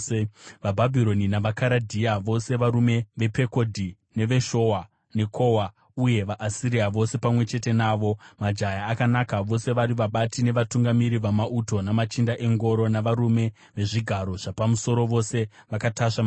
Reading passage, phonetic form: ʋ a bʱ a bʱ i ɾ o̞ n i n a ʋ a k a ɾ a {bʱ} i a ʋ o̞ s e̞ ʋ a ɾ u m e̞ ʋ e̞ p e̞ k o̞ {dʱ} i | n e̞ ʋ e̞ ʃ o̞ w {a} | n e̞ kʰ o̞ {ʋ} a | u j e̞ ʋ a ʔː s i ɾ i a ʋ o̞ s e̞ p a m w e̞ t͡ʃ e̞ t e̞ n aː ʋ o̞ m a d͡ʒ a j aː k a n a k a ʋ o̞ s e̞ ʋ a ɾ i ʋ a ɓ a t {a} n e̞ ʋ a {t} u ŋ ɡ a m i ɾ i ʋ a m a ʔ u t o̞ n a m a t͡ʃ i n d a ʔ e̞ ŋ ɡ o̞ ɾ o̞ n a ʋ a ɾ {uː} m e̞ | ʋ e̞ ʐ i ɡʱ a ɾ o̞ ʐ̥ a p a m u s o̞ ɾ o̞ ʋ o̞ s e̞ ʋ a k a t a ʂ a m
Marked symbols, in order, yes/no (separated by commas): no, yes, yes, no, no, yes, no